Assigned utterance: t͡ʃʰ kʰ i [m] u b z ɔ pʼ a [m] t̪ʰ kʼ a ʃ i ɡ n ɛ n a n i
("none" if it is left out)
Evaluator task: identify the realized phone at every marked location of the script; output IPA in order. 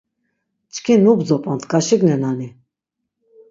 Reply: n, n

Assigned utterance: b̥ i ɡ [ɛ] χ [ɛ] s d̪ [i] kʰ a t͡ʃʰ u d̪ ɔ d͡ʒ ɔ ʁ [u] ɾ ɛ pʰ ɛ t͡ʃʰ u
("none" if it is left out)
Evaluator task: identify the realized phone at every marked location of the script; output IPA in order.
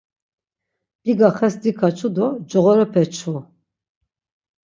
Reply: a, ɛ, i, ɔ

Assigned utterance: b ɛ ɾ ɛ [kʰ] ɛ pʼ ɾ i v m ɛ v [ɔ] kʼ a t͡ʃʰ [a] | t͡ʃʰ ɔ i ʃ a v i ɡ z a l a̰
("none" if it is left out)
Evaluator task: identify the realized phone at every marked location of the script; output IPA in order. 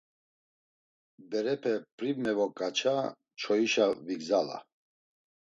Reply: pʰ, ɔ, a

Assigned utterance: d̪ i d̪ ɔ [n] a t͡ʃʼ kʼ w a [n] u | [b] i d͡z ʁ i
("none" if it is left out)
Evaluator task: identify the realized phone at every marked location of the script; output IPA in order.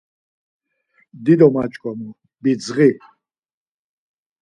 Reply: m, m, b

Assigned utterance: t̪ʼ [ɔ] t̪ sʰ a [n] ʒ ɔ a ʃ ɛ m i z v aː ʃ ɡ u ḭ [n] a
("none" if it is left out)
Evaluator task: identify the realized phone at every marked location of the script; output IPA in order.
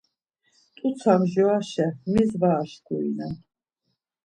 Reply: u, m, n

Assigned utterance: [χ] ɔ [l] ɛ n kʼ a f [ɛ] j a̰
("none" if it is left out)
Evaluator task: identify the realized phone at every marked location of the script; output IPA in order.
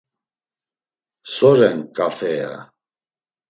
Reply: s, ɾ, ɛ

